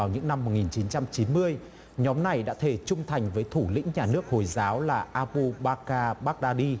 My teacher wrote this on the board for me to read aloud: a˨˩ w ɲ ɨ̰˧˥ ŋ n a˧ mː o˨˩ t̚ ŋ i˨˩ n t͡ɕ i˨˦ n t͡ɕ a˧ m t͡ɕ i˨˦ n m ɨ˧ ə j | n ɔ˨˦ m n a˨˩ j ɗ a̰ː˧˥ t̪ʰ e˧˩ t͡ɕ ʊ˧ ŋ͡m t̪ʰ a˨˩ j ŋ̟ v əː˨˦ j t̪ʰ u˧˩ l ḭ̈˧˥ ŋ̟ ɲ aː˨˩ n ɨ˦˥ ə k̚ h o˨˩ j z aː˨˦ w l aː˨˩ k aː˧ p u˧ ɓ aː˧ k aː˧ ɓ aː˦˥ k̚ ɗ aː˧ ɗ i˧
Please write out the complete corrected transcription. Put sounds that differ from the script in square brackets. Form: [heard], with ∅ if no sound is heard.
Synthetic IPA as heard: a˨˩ w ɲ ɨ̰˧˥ ŋ n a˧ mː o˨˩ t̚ ŋ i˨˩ n t͡ɕ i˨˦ n t͡ɕ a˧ m t͡ɕ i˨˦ n m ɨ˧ ə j | [ɲ] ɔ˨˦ m n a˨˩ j ɗ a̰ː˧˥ t̪ʰ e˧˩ t͡ɕ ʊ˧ ŋ͡m t̪ʰ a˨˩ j ŋ̟ v əː˨˦ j t̪ʰ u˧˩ l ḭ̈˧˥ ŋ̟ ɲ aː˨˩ n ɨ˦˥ ə k̚ h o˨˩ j z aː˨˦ w l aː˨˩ [ʔ] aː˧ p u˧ ɓ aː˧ k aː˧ ɓ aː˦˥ k̚ ɗ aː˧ ɗ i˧